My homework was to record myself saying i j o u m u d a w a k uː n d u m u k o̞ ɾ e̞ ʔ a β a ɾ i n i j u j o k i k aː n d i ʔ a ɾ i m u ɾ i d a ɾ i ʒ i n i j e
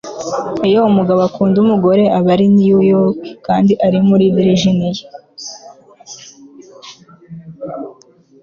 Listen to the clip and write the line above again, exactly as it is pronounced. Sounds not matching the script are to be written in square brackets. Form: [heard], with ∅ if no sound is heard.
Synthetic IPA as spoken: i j o u m u [ɡ] a [β] a k uː n d u m u [ɡ] o̞ ɾ e̞ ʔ a β a ɾ i n i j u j o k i k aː n d i ʔ a ɾ i m u ɾ i d [i] ɾ i ʒ i n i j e